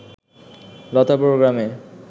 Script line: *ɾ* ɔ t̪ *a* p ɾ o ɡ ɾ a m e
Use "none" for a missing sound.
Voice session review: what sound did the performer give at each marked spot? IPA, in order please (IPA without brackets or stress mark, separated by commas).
l, a